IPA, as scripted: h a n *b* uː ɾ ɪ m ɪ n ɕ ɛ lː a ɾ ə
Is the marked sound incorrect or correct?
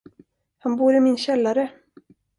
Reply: correct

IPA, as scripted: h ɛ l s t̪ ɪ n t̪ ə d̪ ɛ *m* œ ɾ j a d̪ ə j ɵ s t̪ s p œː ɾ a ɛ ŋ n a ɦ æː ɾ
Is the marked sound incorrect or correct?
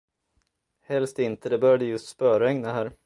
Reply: incorrect: b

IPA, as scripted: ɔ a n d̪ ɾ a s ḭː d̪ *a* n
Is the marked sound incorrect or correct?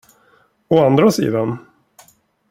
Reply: correct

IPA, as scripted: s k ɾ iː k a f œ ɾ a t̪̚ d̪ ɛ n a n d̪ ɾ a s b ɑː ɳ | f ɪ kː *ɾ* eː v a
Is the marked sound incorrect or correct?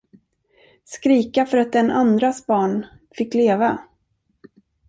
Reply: incorrect: l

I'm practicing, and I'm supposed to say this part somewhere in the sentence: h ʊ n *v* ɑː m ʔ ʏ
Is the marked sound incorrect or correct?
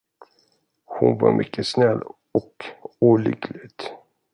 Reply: correct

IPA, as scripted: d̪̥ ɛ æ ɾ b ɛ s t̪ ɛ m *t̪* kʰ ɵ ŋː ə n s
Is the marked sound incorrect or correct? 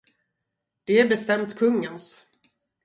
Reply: correct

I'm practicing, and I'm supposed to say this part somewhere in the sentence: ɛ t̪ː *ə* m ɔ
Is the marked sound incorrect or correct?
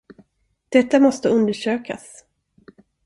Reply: incorrect: a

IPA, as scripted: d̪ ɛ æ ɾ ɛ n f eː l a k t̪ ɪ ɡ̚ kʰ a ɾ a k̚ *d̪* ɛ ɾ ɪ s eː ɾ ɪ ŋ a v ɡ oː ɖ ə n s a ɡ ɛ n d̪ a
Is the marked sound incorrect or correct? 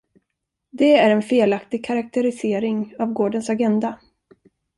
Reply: incorrect: t̪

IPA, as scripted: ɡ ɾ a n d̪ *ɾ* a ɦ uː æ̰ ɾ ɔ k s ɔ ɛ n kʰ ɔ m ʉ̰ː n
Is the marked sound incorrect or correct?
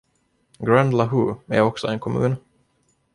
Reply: incorrect: l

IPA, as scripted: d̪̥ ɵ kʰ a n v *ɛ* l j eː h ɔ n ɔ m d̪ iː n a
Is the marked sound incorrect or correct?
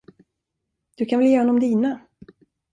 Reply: correct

